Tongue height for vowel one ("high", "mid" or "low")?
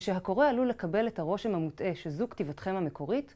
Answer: mid